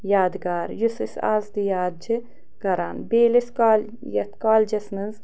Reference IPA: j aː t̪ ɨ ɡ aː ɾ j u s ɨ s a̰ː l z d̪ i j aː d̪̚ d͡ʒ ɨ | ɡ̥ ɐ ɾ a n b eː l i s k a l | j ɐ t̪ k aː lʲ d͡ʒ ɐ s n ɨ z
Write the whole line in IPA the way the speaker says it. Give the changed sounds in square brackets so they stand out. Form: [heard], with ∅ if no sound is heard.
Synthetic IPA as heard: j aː [d̪] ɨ ɡ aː ɾ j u s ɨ s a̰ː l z d̪ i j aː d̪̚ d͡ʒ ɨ | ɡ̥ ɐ ɾ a n b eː l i s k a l | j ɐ t̪ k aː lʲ d͡ʒ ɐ s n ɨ z